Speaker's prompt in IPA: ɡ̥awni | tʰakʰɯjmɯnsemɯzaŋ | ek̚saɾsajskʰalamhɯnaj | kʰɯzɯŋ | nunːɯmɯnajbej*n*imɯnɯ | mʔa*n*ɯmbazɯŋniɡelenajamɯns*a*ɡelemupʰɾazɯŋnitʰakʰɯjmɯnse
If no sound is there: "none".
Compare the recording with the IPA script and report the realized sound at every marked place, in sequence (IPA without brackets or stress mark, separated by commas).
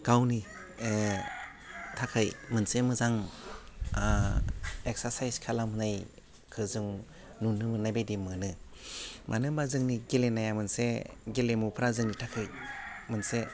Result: d, n, e